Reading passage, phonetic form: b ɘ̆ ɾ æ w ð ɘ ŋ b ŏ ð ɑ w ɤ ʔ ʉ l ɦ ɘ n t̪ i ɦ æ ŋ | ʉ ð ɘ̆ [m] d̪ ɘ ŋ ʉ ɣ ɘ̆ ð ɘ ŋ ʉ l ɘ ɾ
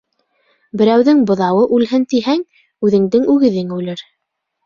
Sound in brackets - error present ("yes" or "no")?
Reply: yes